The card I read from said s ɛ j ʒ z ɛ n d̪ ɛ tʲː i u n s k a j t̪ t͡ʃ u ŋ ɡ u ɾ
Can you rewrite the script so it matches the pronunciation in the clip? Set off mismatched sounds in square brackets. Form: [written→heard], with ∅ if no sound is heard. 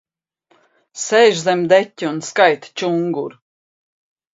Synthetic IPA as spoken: s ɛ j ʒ z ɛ [n→m] d̪ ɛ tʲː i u n s k a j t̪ t͡ʃ u ŋ ɡ u ɾ